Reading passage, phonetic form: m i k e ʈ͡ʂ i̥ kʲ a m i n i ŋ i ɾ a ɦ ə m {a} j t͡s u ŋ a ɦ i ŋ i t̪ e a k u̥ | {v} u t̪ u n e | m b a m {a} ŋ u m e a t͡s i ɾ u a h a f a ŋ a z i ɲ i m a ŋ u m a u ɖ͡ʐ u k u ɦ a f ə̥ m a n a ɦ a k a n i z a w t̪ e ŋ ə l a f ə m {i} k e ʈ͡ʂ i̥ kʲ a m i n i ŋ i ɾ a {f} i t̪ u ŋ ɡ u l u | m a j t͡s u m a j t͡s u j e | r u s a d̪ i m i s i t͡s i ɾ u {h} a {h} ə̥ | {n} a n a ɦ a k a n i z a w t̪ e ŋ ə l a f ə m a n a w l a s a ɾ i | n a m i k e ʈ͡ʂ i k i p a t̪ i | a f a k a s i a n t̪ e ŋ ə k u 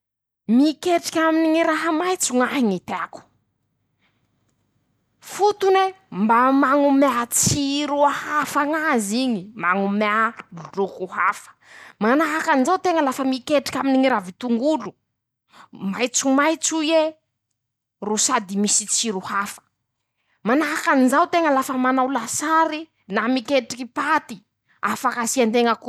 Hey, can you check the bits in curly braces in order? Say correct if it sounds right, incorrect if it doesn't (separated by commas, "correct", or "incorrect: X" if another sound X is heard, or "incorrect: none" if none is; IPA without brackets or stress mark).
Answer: correct, incorrect: f, correct, correct, incorrect: v, correct, incorrect: f, incorrect: m